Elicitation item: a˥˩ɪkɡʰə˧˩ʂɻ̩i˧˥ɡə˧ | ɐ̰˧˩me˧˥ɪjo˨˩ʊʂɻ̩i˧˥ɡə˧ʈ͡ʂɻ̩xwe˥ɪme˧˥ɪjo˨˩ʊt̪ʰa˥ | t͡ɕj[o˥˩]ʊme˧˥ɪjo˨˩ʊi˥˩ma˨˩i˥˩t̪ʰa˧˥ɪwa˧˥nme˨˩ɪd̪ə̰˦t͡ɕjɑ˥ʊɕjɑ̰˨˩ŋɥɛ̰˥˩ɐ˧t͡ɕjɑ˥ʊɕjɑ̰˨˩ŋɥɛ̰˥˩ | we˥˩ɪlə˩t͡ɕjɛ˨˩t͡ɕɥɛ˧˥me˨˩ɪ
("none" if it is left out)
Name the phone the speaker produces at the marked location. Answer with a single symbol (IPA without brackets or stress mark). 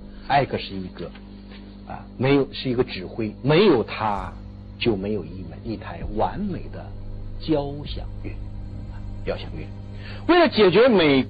o˥˩